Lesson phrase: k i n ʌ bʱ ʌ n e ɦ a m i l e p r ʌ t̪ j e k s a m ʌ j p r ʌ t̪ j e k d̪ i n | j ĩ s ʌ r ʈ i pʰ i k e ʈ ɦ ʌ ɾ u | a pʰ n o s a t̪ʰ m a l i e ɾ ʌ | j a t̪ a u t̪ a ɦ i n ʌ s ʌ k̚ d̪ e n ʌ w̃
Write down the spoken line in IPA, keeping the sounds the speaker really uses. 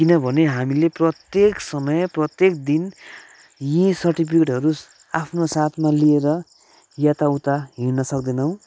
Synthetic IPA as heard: k i n ʌ bʱ ʌ n e ɦ a m i l e p r ʌ t̪ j e k s ʌ m ʌ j p r ʌ t̪ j e k d̪ i n | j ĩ s ʌ r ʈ i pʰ i k e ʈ ɦ ʌ ɾ u | a pʰ n o s a t̪ʰ m a l i e ɾ ʌ | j a t̪ a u t̪ a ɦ i n ʌ s ʌ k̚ d̪ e n ʌ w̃

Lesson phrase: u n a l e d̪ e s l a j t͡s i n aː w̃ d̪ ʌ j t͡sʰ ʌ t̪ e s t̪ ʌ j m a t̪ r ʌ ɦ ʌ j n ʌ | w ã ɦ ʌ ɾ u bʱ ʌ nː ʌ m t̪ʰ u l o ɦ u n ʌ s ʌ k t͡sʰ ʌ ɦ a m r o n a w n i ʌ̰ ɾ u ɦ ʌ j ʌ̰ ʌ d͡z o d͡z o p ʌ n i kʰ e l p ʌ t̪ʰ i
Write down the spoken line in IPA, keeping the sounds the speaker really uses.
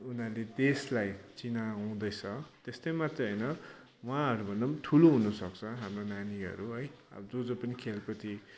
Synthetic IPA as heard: u n a l e d̪ e s l a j t͡s i n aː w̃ d̪ ʌ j t͡sʰ ʌ t̪ e s t̪ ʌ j m a t̪ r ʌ ɦ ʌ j n ʌ | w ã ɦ ʌ ɾ u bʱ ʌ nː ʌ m t̪ʰ u l o ɦ u n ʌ s ʌ k t͡sʰ ʌ ɦ a m r o n a n i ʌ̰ ɾ u ɦ ʌ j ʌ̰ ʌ d͡z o d͡z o p ʌ n i kʰ e l p ʌ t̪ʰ i

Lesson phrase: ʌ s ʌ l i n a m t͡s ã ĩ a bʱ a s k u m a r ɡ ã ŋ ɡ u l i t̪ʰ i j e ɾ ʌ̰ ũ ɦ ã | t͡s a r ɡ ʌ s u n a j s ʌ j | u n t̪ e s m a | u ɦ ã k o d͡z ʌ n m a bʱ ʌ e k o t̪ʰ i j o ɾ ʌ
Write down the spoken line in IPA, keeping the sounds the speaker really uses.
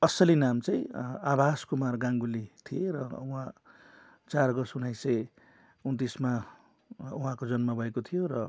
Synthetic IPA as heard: ʌ s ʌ l i n a m t͡s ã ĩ a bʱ a s k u m a r ɡ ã ŋ ɡ u l i t̪ʰ i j e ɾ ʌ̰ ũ ɦ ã | t͡s a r ɡ ʌ s u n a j s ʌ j | u n t̪ i s m a | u ɦ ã k o d͡z ʌ n m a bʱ ʌ e k o t̪ʰ i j o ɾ ʌ

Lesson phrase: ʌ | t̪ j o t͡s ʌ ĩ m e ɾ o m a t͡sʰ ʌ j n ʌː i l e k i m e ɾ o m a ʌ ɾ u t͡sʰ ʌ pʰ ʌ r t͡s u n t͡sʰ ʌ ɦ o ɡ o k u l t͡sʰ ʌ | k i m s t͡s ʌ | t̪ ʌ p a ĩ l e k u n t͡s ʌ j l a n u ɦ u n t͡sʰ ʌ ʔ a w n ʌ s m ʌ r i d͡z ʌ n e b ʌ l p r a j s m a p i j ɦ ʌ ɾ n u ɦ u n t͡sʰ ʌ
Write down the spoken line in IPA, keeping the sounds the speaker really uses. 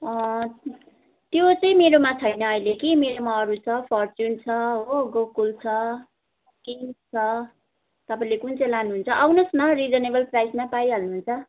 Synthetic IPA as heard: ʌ | t̪ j o t͡s ʌ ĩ m e ɾ o m a t͡sʰ ʌ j n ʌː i l e k i m e ɾ o m a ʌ ɾ u t͡sʰ ʌ pʰ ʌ r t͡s u n t͡sʰ ʌ ɦ o ɡ o k u l t͡sʰ ʌ | k i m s t͡sʰ ʌ | t̪ ʌ p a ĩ l e k u n t͡s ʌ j l a n u ɦ u n t͡sʰ ʌ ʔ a w n ʌ s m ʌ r i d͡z ʌ n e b ʌ l p r a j s m a p a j ɦ ʌ l n u ɦ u n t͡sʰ ʌ

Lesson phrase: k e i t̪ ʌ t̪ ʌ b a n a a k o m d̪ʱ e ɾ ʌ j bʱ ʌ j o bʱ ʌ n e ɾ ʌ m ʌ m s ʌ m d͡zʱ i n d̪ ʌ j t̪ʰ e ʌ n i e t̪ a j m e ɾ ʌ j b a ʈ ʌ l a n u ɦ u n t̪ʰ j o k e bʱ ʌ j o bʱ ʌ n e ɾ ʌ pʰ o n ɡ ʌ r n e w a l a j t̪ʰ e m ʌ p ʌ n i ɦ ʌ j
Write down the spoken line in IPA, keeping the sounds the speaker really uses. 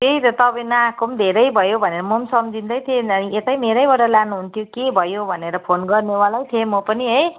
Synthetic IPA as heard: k e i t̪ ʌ t̪ ʌ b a n a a k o m d̪ʱ e ɾ ʌ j bʱ ʌ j o bʱ ʌ n e ɾ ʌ m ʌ m s ʌ m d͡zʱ i n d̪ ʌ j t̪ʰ e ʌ n i e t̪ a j m e ɾ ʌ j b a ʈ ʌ l a n u ɦ u n t̪ʰ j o k e bʱ ʌ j o bʱ ʌ n e ɾ ʌ pʰ o n ɡ ʌ r n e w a l a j t̪ʰ e m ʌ p ʌ n i ɦ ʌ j

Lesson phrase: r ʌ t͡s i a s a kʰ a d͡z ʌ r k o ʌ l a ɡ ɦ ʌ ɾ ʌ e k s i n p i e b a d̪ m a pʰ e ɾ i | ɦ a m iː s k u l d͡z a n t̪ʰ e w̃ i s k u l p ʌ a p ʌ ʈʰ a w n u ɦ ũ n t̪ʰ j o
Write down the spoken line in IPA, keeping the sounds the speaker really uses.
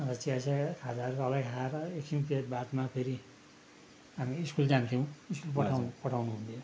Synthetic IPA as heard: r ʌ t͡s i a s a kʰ a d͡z a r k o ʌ l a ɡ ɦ a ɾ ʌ e k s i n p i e b a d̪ m a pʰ e ɾ i | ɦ a m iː s k u l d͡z a n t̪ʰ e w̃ i s k u l p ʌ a p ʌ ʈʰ a w n u ɦ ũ n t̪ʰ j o

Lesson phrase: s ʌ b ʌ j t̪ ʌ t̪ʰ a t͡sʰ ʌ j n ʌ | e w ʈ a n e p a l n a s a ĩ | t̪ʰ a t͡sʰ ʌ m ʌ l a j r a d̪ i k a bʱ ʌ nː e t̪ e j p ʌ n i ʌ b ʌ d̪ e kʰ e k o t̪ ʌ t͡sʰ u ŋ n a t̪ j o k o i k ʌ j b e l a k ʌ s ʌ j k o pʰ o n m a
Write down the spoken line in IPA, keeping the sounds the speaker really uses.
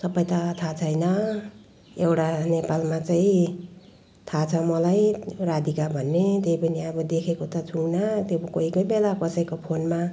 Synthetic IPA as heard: s ʌ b ʌ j t̪ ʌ t̪ʰ a t͡sʰ ʌ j n ʌ | e w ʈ a n e p a l m a t͡s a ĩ | t̪ʰ a t͡sʰ ʌ m ʌ l a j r a d̪ i k a bʱ ʌ nː e t̪ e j p ʌ n i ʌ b ʌ d̪ e kʰ e k o t̪ ʌ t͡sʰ u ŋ n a t̪ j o k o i k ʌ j b e l a k ʌ s ʌ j k o pʰ o n m a

